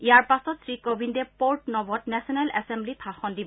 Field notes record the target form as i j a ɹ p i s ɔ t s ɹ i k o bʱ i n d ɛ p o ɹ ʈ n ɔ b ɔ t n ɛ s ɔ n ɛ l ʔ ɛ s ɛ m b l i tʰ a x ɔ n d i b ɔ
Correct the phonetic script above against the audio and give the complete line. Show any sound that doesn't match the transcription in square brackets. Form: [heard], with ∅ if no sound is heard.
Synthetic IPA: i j a ɹ p [a] s ɔ t s ɹ i k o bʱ i n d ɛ p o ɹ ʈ n ɔ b ɔ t n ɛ s ɔ n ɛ l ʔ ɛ s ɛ m b l i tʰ a x ɔ n d i b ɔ